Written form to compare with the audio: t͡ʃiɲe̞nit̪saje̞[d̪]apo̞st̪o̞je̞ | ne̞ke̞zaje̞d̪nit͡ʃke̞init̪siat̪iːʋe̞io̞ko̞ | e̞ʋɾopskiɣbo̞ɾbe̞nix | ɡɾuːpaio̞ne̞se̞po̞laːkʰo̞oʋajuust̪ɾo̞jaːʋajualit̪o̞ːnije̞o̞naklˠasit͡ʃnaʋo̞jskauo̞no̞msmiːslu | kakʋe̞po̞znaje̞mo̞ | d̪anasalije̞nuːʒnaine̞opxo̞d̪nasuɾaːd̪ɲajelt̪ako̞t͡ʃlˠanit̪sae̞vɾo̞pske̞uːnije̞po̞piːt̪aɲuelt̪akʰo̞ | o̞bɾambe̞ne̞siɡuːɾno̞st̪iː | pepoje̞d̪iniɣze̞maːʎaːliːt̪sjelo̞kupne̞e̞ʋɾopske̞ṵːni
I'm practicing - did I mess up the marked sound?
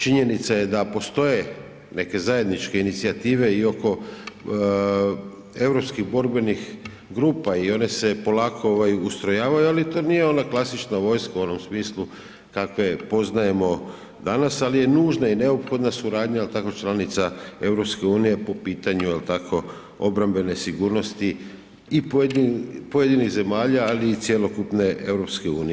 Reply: no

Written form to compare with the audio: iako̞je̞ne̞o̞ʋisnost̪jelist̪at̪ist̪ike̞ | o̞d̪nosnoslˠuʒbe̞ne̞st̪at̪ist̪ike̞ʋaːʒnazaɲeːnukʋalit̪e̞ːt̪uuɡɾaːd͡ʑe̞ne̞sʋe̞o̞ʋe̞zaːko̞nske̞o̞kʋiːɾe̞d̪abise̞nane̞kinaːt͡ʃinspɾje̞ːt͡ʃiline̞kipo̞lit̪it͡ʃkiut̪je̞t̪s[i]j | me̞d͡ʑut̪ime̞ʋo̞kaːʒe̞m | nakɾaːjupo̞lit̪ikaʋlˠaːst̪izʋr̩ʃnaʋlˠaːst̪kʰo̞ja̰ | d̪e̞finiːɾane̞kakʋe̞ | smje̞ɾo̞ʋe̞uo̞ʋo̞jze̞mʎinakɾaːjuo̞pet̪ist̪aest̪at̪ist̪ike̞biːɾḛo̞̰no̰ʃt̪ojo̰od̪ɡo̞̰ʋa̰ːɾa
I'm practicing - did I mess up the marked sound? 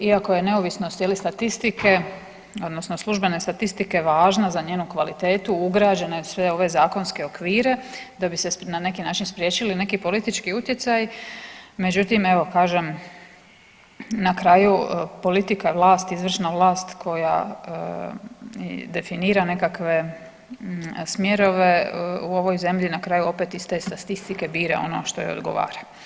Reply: yes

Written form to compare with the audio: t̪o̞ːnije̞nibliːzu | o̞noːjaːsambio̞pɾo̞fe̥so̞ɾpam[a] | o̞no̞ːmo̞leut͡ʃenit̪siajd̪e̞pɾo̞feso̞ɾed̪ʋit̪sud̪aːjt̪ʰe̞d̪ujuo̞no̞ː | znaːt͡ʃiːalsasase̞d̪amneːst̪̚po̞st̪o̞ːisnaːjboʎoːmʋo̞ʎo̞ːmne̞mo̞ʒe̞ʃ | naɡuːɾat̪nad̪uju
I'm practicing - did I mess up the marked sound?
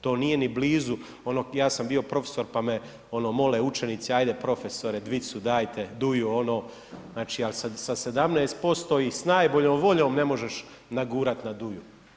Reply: yes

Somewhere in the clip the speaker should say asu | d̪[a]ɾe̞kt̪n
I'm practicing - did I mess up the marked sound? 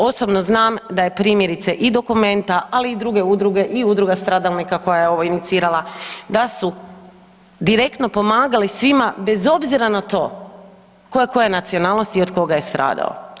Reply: yes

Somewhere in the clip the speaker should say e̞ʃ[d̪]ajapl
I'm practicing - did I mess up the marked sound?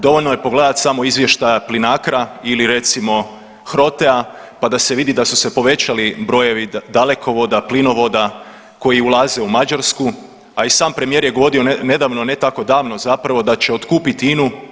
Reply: yes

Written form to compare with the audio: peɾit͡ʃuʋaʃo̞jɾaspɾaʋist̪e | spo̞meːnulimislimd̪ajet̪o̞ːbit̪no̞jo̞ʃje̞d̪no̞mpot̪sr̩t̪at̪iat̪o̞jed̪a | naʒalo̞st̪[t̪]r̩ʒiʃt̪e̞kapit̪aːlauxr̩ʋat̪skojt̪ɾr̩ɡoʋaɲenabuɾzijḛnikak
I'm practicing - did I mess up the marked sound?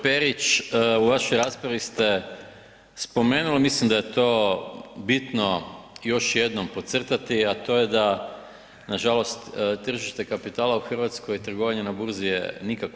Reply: no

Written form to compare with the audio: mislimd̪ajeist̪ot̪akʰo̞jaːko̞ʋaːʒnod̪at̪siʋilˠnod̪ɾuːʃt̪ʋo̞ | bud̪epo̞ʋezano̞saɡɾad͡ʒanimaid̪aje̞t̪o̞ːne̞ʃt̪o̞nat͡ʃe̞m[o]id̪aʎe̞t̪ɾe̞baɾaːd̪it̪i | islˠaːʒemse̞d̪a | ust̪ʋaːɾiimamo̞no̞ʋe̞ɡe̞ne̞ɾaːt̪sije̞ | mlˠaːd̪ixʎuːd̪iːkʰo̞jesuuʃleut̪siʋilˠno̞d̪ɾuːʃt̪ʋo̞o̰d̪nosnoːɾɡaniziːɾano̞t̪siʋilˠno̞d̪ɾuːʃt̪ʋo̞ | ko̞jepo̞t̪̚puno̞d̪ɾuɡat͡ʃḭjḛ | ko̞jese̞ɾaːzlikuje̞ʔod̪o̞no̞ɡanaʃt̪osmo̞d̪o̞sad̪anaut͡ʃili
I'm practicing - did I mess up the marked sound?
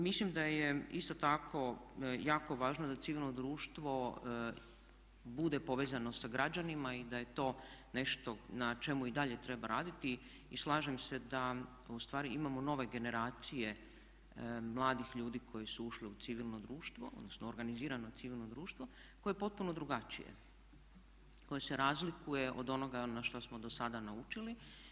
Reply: yes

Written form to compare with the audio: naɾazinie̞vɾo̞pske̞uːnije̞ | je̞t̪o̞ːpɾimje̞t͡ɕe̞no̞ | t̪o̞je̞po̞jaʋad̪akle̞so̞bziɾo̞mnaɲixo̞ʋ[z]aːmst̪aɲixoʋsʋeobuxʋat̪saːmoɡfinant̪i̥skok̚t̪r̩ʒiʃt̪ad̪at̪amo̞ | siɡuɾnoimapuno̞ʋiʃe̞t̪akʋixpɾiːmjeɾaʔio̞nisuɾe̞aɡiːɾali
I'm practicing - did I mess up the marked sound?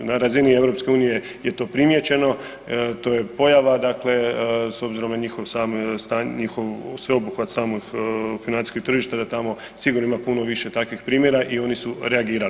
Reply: yes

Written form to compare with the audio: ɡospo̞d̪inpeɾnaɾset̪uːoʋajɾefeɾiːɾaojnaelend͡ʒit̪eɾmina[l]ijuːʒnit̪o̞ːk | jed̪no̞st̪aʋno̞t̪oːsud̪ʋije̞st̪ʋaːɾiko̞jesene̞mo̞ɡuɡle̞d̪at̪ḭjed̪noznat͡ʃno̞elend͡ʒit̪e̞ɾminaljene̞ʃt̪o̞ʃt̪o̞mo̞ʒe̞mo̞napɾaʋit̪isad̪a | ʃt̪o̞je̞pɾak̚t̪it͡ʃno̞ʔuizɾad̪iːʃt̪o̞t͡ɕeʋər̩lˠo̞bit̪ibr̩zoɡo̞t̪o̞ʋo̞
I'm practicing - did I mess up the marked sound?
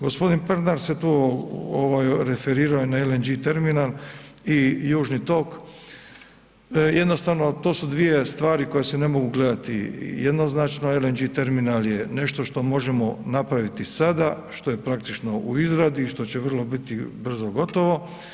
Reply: no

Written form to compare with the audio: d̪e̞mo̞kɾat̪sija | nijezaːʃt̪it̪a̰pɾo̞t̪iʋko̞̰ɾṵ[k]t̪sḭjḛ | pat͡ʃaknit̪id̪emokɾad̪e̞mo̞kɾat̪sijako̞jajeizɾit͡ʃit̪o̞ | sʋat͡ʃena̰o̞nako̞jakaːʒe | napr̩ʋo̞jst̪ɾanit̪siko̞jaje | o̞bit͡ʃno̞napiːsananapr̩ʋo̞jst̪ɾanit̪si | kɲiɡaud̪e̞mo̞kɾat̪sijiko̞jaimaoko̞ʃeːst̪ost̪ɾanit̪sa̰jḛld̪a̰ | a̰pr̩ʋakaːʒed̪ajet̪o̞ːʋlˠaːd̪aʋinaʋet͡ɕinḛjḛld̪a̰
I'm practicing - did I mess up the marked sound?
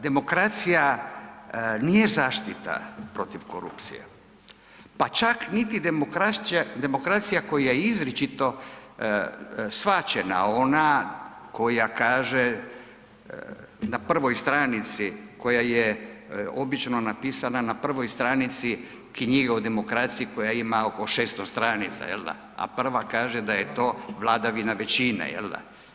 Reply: yes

